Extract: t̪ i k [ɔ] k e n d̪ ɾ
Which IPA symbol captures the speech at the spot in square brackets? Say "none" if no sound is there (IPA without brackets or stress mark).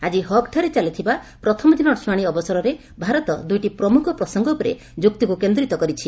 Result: u